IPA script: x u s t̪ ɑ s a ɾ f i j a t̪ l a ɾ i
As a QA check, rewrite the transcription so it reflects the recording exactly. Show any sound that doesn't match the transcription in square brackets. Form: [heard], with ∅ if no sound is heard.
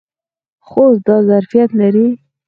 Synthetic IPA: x [o] s [d̪] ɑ [z] a ɾ f i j a t̪ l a ɾ i